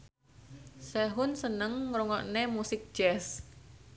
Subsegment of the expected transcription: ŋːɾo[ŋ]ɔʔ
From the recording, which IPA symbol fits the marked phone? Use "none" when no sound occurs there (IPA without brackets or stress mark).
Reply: ŋ